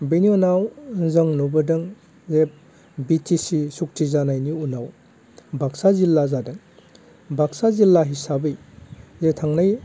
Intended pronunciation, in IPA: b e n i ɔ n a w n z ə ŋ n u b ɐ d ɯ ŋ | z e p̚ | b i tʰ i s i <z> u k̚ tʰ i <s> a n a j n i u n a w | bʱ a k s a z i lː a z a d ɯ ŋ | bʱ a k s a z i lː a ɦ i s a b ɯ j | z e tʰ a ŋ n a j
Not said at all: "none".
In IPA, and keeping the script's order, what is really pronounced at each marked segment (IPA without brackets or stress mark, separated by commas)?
s, z